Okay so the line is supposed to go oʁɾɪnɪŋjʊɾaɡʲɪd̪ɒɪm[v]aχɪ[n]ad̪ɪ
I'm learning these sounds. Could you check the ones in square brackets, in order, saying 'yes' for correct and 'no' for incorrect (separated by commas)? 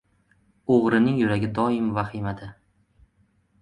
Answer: yes, no